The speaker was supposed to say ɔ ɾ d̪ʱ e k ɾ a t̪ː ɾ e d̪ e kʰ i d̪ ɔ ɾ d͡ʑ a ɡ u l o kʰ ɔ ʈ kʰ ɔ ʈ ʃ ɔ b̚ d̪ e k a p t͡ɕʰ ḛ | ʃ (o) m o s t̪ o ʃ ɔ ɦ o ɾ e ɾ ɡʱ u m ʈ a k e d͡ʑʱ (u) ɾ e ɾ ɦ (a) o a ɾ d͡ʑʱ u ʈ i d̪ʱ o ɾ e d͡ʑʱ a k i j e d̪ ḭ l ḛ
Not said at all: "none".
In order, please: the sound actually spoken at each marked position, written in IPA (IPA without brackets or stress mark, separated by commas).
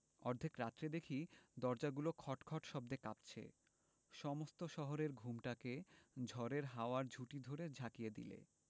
ɔ, ɔ, a